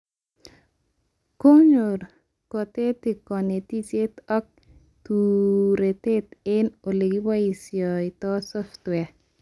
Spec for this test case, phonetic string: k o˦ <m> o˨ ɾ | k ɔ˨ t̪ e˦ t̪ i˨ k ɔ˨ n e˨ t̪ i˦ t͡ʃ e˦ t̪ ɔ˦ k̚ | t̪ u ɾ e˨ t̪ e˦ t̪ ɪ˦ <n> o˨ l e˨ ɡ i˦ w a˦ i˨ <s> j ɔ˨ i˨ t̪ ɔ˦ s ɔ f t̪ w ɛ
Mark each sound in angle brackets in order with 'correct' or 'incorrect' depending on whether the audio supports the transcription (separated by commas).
incorrect, correct, correct